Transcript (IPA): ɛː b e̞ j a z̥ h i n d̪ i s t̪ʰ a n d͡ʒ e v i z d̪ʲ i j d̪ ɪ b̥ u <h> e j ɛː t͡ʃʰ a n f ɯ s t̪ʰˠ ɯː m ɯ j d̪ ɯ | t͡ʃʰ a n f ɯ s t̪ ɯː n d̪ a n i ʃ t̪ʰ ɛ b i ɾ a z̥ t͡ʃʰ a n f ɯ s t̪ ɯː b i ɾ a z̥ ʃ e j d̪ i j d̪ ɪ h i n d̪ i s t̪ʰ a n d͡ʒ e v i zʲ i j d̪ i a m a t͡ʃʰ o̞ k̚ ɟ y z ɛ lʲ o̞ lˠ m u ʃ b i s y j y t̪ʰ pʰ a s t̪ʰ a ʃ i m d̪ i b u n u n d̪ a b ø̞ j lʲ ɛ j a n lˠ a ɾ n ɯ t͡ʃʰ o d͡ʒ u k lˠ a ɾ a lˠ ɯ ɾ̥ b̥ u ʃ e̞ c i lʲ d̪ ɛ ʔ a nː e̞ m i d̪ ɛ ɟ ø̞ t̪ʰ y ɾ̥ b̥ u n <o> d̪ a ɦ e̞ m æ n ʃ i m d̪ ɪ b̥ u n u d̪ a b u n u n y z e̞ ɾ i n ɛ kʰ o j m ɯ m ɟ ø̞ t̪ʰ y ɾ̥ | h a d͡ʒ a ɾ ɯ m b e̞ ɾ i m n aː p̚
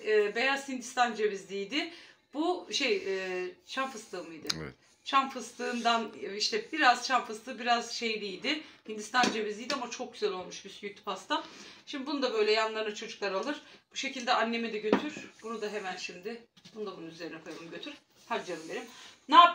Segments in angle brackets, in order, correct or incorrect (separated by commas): incorrect, incorrect